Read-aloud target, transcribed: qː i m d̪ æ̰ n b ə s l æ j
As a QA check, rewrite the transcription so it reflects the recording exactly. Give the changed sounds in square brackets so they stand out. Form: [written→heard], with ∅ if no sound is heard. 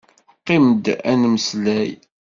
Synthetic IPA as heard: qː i m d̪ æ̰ n [b→m] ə s l æ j